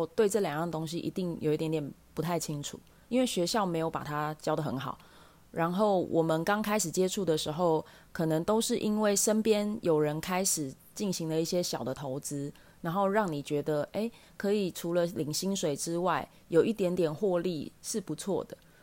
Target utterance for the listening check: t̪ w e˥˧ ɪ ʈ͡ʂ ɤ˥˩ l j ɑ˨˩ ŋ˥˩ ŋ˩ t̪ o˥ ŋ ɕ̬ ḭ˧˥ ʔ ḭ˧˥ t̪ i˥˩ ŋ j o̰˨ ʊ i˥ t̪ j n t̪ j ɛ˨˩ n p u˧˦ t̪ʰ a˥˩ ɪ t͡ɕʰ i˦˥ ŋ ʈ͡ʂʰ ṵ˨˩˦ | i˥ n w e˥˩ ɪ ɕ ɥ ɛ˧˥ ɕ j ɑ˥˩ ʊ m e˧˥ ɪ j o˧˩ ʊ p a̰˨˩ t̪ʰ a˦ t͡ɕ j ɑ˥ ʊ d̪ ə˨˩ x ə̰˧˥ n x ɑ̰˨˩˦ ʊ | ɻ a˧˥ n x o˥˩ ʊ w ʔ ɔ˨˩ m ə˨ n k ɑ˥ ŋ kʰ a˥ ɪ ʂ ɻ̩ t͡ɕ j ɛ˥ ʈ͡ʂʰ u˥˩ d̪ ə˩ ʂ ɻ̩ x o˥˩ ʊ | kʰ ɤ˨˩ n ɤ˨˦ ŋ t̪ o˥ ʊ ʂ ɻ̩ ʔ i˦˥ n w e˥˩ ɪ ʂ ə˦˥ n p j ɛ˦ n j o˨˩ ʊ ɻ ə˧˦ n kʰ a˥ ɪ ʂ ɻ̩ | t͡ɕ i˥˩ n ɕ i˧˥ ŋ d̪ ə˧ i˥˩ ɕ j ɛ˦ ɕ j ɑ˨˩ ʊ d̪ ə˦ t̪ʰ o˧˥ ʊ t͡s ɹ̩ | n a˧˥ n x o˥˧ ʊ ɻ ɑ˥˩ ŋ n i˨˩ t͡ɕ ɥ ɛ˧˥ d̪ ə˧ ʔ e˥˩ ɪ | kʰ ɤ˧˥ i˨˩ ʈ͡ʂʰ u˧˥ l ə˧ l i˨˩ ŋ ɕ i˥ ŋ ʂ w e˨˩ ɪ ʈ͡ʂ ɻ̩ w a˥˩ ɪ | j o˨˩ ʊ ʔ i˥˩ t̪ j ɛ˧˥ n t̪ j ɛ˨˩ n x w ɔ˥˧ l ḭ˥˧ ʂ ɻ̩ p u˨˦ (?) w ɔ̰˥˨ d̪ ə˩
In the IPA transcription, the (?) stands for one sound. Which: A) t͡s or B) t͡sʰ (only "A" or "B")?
B